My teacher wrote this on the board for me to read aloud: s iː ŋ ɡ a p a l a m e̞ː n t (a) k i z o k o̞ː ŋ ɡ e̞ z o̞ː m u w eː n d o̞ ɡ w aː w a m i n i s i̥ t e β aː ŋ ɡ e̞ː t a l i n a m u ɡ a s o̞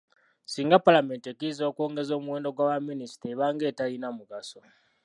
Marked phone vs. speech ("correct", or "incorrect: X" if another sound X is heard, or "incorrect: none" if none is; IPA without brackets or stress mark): incorrect: e